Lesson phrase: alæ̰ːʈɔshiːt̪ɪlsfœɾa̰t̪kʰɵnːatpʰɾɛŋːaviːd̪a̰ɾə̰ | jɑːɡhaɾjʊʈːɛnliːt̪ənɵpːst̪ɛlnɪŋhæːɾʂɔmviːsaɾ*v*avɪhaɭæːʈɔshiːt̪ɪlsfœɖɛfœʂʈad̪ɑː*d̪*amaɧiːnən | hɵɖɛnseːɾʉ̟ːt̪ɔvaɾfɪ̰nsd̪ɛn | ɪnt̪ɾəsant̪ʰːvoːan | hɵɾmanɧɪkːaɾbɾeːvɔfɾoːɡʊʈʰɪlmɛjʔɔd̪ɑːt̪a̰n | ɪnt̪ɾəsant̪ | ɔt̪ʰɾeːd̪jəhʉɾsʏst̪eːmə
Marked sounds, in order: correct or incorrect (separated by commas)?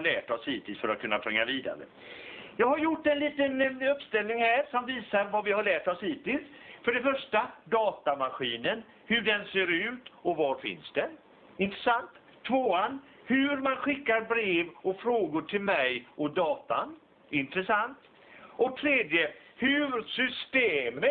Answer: correct, incorrect